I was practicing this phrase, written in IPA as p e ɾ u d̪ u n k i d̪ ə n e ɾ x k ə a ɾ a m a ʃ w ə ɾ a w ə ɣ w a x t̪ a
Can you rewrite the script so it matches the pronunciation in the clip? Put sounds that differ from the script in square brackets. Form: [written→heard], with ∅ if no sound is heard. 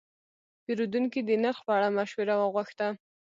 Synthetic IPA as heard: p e ɾ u d̪ u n k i d̪ ə n [e→a] ɾ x [k→p] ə a [ɾ→ɽ] a m a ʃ w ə ɾ a w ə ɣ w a x t̪ a